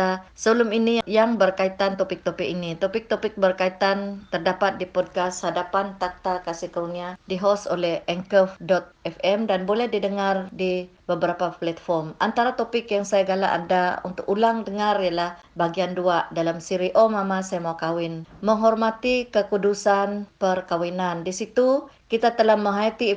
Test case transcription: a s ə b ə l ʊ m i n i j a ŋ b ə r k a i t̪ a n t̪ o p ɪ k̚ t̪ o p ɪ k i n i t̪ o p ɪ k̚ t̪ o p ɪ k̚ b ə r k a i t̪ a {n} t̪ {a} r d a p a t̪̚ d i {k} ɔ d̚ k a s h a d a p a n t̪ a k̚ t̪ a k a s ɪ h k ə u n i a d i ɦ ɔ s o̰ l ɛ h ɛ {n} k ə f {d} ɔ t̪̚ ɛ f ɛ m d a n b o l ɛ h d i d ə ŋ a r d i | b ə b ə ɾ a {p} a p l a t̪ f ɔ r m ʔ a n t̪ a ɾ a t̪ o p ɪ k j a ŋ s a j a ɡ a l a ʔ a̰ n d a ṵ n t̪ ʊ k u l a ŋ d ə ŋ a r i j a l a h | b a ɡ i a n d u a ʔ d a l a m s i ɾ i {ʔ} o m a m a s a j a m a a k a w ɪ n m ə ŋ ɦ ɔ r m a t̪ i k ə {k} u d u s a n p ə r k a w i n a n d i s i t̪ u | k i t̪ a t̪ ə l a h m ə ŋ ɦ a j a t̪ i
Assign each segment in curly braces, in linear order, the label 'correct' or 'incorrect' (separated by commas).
correct, incorrect, incorrect, incorrect, correct, correct, correct, correct